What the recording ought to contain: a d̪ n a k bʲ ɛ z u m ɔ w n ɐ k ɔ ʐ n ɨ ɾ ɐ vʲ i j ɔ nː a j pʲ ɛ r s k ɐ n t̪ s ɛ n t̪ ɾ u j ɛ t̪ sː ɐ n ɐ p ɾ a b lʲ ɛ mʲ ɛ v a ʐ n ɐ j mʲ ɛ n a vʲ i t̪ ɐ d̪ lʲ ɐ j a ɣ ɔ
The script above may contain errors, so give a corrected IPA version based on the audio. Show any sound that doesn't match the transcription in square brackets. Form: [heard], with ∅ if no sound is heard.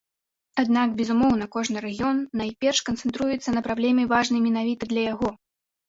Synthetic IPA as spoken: a d̪ n a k bʲ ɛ z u m ɔ w n ɐ k ɔ ʐ n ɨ ɾ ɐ [ɣʲ] i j ɔ nː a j pʲ ɛ r [ʂ] k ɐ n t̪ s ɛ n t̪ ɾ u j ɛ t̪ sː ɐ n ɐ p ɾ a b lʲ ɛ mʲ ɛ v a ʐ n ɐ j mʲ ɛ n a vʲ i t̪ ɐ d̪ lʲ ɐ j a ɣ ɔ